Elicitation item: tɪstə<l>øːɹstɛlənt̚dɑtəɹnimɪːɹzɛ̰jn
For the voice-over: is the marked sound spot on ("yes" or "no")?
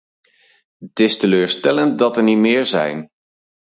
yes